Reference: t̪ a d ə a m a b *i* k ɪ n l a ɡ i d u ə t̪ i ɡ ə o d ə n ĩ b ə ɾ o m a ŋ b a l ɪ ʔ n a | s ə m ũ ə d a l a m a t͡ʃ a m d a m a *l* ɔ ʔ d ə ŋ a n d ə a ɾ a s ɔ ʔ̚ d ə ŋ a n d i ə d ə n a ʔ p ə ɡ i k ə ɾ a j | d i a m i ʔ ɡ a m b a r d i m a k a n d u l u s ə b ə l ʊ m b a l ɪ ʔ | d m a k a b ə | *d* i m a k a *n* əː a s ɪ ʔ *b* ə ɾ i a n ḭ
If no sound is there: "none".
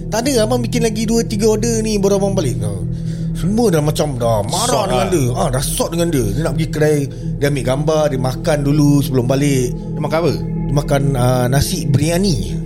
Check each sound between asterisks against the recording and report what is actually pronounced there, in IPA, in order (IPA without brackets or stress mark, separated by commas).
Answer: i, ɾ, d, n, b